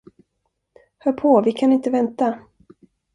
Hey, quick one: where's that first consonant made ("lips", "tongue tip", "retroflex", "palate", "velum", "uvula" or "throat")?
throat